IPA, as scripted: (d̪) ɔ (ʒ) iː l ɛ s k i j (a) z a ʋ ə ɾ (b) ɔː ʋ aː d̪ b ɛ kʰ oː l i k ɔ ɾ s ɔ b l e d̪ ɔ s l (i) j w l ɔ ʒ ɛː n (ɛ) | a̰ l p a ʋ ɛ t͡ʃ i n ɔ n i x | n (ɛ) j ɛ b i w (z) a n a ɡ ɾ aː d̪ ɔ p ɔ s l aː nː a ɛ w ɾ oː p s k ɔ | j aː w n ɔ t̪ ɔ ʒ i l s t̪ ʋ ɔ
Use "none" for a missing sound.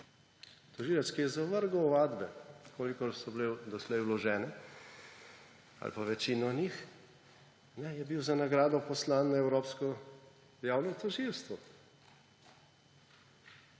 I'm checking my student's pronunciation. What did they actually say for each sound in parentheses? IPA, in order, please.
t̪, ʒ, ɛ, ɡ, ɛ, ɛ, ɛ, z

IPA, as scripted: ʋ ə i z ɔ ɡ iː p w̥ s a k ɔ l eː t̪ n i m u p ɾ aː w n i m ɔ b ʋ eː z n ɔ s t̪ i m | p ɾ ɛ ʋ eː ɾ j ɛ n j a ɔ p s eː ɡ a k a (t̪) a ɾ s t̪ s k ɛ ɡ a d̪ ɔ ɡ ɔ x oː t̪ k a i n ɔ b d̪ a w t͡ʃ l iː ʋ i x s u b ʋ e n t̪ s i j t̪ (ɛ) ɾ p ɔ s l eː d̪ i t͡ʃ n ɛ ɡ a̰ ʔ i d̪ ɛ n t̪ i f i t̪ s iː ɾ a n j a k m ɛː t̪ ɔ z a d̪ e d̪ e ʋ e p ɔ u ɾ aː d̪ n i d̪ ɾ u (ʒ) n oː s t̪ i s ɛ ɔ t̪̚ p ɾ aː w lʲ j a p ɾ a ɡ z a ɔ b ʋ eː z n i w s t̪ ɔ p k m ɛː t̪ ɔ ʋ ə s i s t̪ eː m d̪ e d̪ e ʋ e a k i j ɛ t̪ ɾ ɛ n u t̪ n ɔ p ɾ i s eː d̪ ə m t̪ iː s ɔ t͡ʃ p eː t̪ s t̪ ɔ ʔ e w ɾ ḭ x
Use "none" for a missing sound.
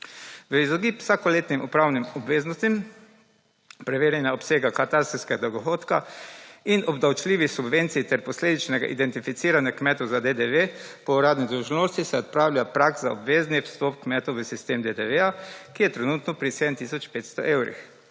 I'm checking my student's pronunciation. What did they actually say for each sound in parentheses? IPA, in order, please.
t̪, ɛ, ʒ

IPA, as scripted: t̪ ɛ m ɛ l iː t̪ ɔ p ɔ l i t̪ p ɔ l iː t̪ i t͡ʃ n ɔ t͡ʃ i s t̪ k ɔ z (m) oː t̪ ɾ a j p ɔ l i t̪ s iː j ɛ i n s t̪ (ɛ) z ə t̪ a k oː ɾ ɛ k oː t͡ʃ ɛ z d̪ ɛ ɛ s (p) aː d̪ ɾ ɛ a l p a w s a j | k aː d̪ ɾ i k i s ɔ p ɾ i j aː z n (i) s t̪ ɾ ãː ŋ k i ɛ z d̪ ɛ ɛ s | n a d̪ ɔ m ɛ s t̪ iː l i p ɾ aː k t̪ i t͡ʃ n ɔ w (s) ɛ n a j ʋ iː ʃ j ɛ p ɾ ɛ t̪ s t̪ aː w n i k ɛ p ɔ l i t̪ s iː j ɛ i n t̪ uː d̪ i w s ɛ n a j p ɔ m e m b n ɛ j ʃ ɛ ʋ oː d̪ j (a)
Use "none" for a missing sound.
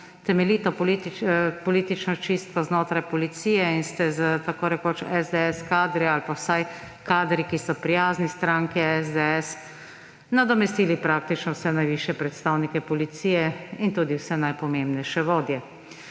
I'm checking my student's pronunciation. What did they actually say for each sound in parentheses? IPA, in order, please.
n, ɛ, k, i, s, ɛ

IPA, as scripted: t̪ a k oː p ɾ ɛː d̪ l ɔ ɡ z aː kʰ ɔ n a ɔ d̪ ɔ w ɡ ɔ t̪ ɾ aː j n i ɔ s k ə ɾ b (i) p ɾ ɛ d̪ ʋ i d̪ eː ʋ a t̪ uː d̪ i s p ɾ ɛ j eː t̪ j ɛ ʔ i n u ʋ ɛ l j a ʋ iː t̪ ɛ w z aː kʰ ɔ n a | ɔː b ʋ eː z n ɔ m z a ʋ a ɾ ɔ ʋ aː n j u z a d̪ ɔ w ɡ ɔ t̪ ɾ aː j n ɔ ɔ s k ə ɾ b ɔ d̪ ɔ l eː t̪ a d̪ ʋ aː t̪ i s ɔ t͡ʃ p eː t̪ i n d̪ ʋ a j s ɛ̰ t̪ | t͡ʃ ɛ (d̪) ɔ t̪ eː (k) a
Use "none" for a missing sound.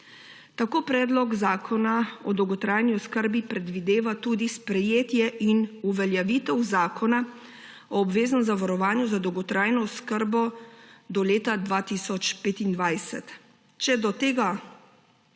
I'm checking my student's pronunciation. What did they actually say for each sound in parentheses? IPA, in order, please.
i, d̪, ɡ

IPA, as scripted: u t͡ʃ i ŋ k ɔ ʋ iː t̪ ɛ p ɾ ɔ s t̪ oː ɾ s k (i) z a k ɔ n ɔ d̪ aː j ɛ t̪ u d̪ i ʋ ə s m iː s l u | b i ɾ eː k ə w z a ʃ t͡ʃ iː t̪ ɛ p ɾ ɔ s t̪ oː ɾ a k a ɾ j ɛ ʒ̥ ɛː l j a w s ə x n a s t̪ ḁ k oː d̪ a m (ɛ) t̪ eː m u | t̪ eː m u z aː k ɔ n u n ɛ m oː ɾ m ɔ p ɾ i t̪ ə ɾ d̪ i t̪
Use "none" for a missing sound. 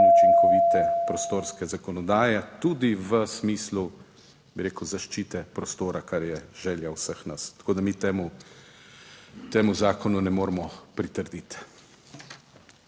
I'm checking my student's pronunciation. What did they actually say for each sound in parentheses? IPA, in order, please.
ɛ, i

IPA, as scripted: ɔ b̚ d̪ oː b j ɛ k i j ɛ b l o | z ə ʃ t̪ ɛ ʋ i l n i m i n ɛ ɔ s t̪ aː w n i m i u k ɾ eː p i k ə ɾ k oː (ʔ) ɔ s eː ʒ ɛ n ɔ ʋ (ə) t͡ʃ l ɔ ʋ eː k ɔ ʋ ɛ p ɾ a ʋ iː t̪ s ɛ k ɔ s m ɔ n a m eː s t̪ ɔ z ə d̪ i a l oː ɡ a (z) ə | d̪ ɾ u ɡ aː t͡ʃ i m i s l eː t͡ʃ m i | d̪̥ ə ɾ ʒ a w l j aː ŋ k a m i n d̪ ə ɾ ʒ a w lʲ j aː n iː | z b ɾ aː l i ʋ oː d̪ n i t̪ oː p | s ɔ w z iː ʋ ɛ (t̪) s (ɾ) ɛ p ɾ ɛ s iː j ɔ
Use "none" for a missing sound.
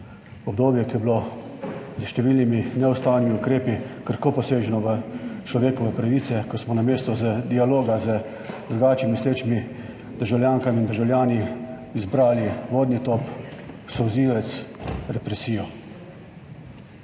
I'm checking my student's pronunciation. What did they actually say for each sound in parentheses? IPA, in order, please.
p, ə, z, t̪, ɾ

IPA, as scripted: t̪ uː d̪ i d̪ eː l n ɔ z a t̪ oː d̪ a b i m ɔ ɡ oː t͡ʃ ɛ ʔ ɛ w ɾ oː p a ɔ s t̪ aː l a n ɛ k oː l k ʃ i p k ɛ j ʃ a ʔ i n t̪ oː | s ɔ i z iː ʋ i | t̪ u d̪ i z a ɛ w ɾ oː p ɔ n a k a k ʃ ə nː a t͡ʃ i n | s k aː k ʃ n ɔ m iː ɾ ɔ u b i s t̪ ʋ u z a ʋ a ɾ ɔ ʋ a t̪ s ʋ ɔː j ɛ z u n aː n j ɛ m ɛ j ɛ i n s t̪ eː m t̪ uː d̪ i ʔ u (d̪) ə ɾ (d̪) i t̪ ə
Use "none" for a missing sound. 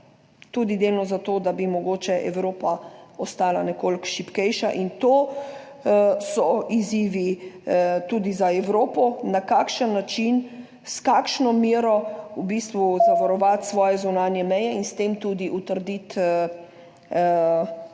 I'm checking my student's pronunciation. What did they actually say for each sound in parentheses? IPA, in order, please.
t̪, d̪

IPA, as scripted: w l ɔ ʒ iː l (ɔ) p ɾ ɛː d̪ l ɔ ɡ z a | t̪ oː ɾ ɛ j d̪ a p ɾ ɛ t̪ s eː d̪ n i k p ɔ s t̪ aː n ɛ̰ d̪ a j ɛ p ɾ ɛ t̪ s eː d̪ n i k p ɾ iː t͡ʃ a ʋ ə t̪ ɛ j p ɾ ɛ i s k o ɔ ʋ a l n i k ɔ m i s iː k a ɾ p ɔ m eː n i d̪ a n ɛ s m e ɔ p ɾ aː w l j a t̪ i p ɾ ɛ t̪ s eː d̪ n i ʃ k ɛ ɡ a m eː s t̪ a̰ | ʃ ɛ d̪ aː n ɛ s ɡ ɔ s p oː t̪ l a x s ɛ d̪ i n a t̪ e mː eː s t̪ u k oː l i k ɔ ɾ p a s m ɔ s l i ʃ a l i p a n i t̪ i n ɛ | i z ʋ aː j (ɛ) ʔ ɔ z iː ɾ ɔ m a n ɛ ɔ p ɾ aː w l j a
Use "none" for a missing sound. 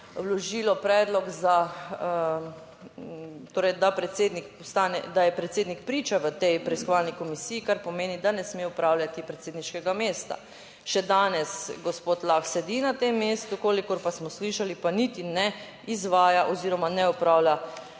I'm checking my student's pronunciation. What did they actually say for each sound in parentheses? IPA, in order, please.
ɔ, a

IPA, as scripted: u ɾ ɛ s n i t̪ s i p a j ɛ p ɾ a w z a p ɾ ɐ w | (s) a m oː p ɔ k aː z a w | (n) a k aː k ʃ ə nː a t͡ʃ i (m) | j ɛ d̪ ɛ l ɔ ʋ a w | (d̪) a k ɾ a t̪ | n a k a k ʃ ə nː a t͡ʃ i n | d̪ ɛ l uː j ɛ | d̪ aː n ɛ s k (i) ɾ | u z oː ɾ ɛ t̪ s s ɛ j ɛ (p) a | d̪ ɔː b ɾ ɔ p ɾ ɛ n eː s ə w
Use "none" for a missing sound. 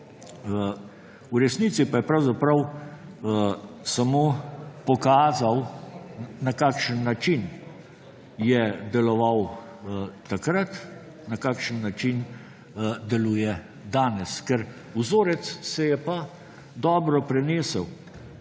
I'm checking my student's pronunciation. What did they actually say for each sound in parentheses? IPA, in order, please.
s, n, n, t̪, ɛ, p

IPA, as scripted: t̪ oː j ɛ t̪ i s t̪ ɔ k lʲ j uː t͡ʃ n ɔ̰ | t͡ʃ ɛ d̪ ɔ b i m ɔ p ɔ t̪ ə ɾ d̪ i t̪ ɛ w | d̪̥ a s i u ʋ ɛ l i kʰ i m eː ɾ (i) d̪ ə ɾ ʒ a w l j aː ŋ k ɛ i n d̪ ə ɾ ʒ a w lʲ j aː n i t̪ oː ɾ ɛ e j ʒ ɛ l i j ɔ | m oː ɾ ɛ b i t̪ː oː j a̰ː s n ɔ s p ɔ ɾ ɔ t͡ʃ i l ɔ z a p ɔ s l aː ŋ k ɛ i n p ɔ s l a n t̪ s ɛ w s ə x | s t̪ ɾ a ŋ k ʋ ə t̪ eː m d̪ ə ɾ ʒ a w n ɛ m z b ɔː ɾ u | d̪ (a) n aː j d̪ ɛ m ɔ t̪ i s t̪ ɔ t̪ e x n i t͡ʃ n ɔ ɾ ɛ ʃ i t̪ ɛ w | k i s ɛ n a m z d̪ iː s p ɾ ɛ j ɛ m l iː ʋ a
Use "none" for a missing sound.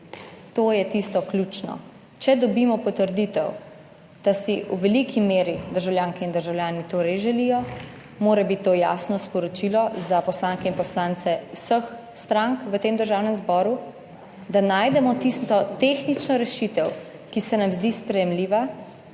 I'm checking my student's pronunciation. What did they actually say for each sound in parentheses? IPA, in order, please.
i, a

